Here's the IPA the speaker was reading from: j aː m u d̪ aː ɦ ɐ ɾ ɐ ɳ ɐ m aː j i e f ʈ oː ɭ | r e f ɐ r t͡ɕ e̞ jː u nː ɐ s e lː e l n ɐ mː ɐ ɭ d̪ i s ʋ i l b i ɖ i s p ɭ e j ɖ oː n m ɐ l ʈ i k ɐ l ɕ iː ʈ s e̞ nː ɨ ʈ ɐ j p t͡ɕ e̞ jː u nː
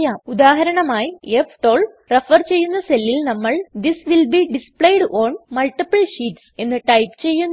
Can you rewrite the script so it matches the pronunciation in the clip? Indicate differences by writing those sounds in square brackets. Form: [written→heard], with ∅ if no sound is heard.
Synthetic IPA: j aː m u d̪ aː ɦ ɐ ɾ ɐ ɳ ɐ m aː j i e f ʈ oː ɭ | r e f ɐ r t͡ɕ e̞ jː u nː ɐ s e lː [e→i] l n ɐ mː ɐ ɭ d̪ i s ʋ i l b i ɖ i s p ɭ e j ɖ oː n m ɐ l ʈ i [k→p] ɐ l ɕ iː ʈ s e̞ nː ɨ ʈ ɐ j p t͡ɕ e̞ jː u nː